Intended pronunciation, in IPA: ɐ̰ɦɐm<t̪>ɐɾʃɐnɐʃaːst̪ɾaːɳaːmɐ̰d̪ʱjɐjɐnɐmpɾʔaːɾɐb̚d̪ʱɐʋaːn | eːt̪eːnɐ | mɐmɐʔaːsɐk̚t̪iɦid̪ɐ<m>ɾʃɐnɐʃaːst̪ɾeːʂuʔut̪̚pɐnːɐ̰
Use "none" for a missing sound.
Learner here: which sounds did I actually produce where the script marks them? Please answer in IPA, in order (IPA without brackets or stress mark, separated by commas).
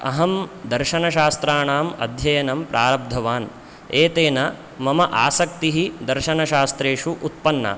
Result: d̪, none